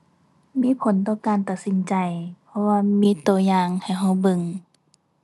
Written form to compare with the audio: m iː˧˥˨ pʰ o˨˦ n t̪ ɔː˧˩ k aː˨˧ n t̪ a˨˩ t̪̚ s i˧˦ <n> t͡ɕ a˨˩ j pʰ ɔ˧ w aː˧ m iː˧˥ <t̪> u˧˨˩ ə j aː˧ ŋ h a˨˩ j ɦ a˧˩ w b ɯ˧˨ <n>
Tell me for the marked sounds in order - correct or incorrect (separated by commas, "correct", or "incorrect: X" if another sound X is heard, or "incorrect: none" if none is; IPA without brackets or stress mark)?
correct, correct, incorrect: ŋ